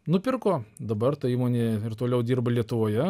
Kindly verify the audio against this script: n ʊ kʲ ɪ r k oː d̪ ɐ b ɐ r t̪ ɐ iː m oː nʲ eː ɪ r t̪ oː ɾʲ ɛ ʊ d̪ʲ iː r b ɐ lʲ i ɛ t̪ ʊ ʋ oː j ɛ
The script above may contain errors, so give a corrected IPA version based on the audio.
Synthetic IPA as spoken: n ʊ pʲ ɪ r k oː d̪ ɐ b ɐ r t̪ ɐ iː m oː nʲ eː ɪ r t̪ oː lʲ ɛ ʊ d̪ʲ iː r b ɐ lʲ i ɛ t̪ ʊ ʋ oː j ɛ